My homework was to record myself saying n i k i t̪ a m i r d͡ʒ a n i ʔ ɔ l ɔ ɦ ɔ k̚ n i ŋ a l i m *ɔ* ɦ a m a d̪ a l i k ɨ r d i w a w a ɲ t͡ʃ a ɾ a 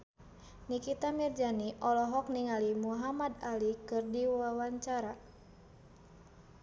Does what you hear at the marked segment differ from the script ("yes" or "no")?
yes